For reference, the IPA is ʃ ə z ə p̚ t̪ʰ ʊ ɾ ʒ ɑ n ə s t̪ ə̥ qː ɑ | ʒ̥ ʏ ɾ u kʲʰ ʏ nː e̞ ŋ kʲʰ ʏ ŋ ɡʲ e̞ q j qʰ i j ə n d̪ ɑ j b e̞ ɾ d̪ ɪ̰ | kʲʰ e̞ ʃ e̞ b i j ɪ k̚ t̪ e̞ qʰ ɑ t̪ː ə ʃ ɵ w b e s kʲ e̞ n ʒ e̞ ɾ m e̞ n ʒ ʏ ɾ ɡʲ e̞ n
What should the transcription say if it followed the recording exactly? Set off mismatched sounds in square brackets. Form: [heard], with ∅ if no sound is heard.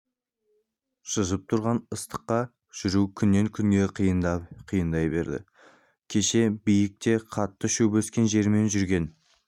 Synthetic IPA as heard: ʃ ə z ə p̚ t̪ʰ ʊ ɾ [ʁ] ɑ n ə s t̪ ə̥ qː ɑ | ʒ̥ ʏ ɾ u kʲʰ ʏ nː e̞ ŋ kʲʰ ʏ ŋ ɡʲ e̞ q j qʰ i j ə n d̪ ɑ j b e̞ ɾ d̪ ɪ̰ | kʲʰ e̞ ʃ e̞ b i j ɪ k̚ t̪ e̞ qʰ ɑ t̪ː ə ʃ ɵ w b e s kʲ e̞ n ʒ e̞ ɾ m e̞ n ʒ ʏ ɾ ɡʲ e̞ n